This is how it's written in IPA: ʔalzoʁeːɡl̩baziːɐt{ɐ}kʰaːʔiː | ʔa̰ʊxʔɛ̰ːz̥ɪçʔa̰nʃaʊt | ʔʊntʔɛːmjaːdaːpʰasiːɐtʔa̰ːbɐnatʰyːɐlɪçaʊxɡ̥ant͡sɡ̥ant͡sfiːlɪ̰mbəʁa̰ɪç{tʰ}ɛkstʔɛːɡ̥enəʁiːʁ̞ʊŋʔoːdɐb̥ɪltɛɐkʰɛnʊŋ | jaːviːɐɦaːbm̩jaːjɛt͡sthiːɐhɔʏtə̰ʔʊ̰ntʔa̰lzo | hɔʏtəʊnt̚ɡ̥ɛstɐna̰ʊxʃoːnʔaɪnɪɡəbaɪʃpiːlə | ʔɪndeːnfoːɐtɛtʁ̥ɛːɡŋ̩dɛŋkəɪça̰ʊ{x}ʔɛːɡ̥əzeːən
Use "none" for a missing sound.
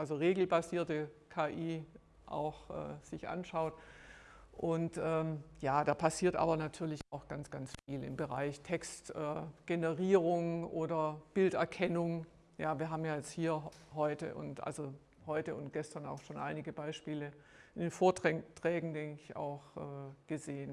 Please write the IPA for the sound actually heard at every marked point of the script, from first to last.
ə, tʰ, x

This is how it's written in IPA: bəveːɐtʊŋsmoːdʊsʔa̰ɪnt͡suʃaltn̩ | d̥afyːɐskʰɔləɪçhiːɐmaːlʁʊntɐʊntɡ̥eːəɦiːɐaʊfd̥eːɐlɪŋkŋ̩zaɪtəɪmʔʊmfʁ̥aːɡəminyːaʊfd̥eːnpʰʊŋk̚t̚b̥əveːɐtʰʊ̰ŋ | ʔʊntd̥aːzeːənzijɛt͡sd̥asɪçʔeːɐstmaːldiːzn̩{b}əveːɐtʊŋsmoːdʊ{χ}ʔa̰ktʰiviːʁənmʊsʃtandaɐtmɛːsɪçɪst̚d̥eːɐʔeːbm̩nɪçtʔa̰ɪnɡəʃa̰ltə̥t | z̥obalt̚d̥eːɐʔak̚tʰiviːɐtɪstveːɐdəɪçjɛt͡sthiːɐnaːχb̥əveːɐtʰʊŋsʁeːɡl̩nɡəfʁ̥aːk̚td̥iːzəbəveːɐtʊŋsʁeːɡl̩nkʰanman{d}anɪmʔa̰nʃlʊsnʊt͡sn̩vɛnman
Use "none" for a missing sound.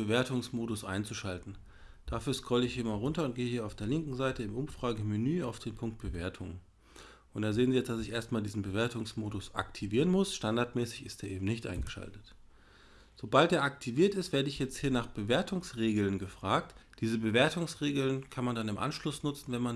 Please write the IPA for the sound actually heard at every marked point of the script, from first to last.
b, s, d

